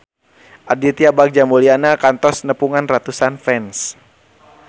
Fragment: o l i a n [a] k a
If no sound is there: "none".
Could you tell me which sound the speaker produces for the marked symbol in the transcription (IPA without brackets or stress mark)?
a